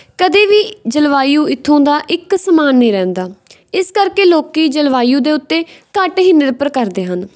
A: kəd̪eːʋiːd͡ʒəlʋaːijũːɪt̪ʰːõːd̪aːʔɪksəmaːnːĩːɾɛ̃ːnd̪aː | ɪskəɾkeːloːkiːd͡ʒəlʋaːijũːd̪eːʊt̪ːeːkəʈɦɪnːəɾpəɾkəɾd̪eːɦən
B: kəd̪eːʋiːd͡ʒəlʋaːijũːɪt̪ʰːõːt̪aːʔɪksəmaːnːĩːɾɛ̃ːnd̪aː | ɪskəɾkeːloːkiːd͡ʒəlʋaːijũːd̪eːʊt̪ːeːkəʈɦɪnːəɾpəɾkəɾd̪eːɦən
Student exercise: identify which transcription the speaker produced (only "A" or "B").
A